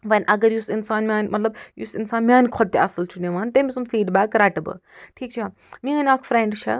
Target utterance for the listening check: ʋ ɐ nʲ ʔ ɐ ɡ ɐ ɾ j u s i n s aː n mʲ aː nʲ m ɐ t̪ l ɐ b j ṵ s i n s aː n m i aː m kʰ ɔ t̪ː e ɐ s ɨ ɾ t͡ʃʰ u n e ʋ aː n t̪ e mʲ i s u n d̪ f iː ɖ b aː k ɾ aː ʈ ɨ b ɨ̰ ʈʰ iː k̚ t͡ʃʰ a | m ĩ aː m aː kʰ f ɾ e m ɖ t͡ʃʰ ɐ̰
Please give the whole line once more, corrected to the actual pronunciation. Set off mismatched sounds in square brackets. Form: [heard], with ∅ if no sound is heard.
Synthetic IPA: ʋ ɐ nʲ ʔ ɐ ɡ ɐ ɾ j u s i n s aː n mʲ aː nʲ m ɐ t̪ l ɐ b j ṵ s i n s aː n m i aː [n] kʰ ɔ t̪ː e ɐ s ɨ [l] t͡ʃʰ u n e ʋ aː n t̪ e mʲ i s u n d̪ f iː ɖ b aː k ɾ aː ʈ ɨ b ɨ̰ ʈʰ iː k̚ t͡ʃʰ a | m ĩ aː [n] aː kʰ f ɾ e [ɳ] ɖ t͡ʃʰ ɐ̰